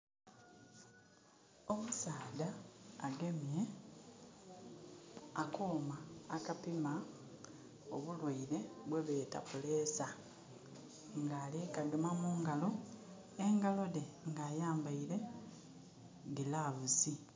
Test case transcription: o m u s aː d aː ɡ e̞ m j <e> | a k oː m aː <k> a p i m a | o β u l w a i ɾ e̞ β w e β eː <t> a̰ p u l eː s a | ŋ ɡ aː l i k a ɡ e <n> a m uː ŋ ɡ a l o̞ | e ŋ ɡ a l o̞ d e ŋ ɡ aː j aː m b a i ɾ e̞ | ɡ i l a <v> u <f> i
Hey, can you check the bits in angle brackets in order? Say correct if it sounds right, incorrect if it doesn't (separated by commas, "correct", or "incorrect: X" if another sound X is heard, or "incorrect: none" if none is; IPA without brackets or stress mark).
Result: correct, correct, correct, incorrect: m, incorrect: β, incorrect: s